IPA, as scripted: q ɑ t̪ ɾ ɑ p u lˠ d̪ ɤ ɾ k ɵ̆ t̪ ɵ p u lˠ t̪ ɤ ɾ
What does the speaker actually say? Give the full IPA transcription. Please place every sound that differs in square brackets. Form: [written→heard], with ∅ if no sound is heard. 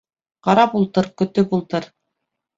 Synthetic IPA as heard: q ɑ [t̪→∅] ɾ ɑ p u lˠ [d̪→t̪] ɤ ɾ k ɵ̆ t̪ ɵ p u lˠ t̪ ɤ ɾ